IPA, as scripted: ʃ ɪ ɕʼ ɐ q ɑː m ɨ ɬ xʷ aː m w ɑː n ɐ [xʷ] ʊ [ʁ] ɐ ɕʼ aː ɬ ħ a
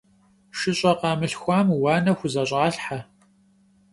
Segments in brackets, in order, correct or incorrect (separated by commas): correct, incorrect